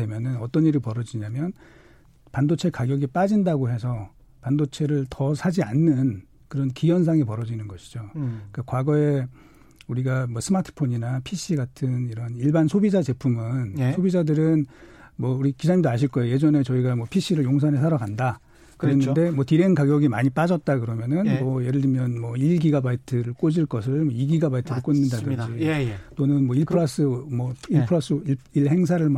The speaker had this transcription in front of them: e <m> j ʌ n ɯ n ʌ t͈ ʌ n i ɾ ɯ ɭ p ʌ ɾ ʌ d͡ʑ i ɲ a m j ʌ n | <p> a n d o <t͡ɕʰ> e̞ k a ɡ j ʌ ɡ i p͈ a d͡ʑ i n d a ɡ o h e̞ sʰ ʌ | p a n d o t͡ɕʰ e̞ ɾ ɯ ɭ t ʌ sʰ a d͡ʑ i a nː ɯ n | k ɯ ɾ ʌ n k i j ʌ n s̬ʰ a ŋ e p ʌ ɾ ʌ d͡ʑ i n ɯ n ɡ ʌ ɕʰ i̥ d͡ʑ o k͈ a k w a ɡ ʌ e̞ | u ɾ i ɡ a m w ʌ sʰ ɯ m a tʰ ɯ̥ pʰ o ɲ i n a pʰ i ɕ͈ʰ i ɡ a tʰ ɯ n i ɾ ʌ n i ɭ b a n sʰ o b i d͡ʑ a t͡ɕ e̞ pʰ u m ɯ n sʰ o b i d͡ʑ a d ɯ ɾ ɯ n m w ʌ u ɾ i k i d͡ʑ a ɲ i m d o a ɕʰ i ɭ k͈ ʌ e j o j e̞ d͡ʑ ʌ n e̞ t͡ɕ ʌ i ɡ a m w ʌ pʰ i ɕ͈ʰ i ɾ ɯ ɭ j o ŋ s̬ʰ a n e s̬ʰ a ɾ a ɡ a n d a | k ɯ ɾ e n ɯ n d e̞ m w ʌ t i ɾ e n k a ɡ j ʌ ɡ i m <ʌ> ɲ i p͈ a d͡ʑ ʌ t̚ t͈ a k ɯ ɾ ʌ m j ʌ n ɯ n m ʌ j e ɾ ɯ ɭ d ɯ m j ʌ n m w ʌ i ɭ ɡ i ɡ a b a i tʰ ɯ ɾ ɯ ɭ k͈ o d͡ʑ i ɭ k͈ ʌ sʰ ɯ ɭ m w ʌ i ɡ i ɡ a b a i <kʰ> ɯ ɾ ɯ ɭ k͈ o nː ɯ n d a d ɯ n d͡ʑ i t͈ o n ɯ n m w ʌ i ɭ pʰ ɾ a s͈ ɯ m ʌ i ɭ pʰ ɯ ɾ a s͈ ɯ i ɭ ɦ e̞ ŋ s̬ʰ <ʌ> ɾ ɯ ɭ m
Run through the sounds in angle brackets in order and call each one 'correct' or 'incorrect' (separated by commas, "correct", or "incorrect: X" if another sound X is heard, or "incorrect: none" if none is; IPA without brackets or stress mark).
correct, correct, correct, incorrect: a, incorrect: tʰ, incorrect: a